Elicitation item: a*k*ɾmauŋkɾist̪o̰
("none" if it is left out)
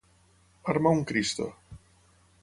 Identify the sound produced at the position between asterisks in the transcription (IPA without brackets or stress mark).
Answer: none